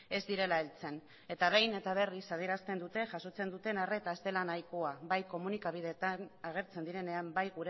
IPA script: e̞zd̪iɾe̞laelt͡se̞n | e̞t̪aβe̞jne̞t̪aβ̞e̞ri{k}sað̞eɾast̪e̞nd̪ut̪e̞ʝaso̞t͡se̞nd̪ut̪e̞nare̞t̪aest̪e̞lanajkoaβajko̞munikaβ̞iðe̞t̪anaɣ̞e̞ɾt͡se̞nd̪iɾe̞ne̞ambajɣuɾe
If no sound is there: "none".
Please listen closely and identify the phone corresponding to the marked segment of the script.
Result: none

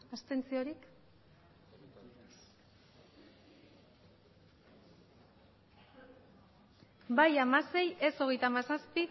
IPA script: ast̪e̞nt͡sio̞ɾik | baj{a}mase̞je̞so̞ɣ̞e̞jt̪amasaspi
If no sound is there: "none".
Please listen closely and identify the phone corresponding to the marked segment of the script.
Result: a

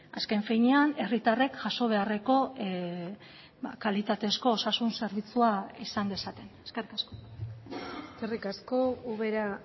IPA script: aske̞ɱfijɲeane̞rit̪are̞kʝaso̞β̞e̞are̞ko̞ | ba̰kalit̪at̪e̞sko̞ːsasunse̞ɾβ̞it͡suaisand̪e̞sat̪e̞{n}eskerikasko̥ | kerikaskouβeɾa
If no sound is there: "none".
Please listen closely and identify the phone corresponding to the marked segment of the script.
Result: n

